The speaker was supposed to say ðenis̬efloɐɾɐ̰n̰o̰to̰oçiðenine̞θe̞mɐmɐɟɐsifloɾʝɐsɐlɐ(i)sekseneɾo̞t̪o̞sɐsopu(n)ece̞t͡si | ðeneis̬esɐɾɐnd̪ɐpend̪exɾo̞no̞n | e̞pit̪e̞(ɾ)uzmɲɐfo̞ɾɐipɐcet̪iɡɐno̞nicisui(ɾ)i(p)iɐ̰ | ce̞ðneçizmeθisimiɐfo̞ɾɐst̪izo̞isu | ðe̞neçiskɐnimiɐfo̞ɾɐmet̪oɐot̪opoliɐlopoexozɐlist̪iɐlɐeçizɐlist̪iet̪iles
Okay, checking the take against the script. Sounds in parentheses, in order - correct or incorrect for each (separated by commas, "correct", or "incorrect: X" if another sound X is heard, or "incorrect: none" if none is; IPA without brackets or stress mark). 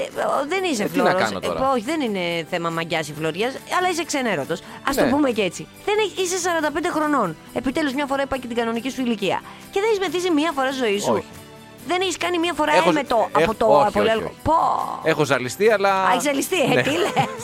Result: correct, incorrect: m, incorrect: l, incorrect: l, incorrect: c